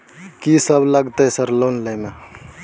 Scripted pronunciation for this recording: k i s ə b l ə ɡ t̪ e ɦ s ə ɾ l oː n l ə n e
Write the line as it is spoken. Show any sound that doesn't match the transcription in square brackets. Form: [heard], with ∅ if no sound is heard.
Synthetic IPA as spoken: k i s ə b l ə ɡ t̪ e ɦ s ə ɾ l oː n l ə [m] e